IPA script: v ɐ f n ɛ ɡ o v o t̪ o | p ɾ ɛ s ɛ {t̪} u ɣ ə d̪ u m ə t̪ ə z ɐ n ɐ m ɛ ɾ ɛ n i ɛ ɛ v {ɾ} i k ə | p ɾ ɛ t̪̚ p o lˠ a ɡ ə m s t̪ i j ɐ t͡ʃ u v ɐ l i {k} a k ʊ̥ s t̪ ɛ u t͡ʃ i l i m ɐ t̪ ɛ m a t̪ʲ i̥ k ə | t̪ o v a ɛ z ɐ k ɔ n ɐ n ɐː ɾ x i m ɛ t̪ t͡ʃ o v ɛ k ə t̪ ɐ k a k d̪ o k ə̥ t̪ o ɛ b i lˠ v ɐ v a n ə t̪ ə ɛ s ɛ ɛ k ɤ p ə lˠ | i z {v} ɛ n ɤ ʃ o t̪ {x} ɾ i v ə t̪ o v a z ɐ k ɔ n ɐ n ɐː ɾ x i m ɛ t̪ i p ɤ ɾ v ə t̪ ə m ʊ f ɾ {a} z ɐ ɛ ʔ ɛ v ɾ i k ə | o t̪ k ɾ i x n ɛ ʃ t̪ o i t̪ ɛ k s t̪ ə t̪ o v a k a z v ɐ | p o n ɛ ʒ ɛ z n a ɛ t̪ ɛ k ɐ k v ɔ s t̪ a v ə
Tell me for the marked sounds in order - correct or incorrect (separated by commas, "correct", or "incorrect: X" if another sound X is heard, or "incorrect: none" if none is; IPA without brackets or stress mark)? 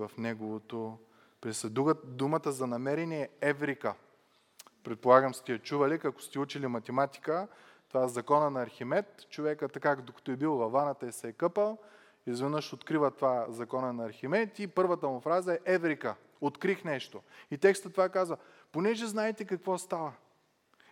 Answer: incorrect: d̪, correct, correct, correct, incorrect: k, correct